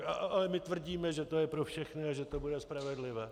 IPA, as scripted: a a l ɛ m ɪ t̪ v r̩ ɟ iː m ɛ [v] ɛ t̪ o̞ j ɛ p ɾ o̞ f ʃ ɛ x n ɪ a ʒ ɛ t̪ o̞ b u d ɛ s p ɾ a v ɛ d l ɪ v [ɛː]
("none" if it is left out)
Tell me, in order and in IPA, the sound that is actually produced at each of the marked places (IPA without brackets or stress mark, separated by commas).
ʒ, ɛː